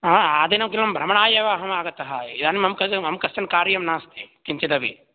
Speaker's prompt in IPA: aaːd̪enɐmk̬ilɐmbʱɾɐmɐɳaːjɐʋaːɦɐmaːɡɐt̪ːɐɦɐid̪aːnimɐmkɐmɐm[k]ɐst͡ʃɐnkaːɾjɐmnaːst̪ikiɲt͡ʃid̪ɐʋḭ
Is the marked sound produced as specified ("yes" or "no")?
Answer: yes